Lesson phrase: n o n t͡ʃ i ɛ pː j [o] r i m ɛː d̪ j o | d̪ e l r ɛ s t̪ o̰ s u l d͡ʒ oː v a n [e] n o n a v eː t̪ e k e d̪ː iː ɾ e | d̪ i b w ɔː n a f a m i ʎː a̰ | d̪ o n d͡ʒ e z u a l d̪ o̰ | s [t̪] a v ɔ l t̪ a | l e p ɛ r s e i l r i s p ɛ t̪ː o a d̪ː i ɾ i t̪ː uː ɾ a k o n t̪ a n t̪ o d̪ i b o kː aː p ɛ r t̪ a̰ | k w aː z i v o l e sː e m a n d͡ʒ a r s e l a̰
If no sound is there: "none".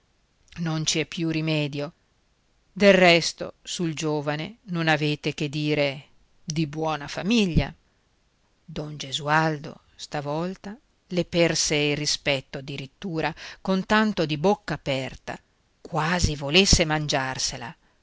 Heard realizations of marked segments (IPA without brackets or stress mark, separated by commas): u, e, t̪